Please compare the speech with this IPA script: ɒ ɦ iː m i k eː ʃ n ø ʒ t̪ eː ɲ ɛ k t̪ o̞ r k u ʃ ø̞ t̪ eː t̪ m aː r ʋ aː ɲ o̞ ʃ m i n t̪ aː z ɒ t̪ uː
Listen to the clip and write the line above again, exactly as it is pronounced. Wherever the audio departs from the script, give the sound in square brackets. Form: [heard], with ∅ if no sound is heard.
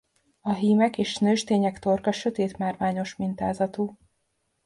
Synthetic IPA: ɒ ɦ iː m [ɛ] k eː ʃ n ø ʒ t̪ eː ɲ ɛ k t̪ o̞ r k [ɒ] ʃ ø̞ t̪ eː t̪ m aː r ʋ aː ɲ o̞ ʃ m i n t̪ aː z ɒ t̪ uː